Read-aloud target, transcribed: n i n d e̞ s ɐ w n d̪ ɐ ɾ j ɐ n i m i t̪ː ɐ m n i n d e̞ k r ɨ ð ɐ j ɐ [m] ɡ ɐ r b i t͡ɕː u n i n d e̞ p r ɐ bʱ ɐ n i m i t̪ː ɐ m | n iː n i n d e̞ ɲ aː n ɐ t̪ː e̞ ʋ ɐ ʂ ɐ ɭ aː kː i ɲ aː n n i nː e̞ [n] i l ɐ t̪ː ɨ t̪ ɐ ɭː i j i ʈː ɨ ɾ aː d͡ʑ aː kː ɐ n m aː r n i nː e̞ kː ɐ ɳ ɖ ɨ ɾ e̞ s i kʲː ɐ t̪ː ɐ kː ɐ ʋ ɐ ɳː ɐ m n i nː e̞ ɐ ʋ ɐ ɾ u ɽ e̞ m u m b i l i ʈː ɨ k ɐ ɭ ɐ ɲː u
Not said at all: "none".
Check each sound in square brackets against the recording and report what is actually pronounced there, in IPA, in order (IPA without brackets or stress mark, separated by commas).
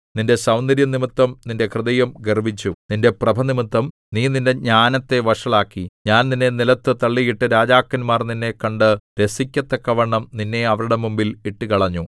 m, n